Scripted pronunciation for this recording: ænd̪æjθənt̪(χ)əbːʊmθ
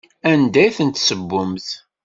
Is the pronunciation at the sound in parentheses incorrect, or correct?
incorrect